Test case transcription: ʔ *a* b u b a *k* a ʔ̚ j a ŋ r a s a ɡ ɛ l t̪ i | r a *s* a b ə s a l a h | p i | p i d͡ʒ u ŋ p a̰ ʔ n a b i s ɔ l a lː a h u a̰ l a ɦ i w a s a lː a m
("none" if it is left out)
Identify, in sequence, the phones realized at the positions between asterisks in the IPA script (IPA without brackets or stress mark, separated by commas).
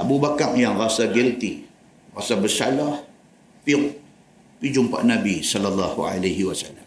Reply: a, k, s